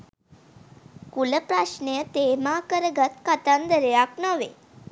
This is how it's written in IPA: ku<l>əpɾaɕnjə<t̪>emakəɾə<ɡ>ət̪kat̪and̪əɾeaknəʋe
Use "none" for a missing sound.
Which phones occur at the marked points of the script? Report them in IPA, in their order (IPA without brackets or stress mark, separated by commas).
l, t̪, ɡ